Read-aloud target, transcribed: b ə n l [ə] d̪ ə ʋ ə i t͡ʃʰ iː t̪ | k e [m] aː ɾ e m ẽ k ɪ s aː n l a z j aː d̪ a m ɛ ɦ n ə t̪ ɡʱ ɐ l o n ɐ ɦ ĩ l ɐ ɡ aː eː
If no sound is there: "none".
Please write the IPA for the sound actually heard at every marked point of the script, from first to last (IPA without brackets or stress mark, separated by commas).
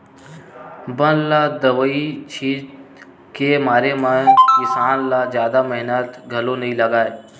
a, m